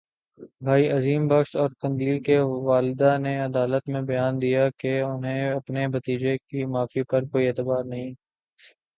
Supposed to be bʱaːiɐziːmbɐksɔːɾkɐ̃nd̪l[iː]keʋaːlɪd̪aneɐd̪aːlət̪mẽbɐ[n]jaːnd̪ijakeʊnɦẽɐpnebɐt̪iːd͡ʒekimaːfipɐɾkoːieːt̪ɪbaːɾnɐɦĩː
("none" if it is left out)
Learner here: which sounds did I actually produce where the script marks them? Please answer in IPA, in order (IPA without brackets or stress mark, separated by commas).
iː, none